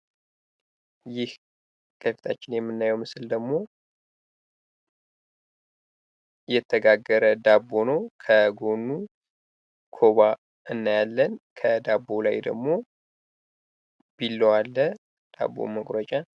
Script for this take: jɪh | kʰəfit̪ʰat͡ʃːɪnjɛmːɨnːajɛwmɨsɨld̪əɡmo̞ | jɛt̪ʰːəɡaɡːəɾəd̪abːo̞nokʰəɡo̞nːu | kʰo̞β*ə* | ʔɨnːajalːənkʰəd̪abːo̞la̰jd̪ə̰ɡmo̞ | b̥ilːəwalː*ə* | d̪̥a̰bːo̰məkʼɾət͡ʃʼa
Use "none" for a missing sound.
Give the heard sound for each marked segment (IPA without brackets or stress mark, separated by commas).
a, ə